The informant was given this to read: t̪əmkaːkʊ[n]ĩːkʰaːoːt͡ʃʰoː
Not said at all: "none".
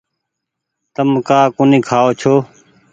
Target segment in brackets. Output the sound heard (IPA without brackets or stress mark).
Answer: n